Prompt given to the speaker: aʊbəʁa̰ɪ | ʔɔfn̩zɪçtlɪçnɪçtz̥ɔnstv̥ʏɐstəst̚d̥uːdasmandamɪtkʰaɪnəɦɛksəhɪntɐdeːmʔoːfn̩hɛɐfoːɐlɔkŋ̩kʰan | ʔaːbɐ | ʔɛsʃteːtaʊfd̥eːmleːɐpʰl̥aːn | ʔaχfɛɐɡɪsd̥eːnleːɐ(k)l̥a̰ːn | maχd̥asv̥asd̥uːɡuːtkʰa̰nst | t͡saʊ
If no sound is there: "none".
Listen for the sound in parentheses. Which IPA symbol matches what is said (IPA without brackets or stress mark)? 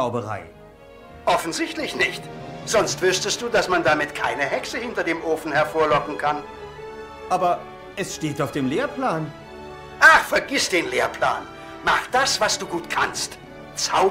p